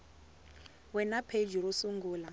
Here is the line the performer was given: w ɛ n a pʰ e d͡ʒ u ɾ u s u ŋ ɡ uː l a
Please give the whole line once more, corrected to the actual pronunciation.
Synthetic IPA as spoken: w ɛ n a pʰ e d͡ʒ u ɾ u s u ŋ ɡ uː l a